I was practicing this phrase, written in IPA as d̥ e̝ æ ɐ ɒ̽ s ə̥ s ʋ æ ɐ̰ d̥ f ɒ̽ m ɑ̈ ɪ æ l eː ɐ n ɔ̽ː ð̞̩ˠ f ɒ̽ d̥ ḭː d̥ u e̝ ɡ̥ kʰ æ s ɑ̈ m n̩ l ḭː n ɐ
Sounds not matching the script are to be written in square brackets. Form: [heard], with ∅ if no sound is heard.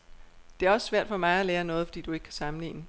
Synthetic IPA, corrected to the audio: d̥ e̝ æ ɐ ɒ̽ s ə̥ s ʋ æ ɐ̰ d̥ f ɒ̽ m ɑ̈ ɪ æ l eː ɐ n ɔ̽ː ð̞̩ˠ f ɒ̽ d̥ ḭː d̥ u e̝ ɡ̥ kʰ æ s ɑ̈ m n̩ l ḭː n [ə]